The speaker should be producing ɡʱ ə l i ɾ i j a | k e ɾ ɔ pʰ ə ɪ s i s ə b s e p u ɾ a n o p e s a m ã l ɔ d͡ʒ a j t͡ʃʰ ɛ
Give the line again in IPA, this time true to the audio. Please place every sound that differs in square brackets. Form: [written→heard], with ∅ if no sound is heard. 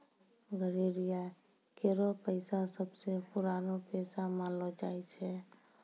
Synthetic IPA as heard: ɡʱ ə [l→ɾ] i ɾ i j a | k e ɾ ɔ [pʰ→p] ə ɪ s [i→a] s ə b s e p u ɾ a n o p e s a m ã l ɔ d͡ʒ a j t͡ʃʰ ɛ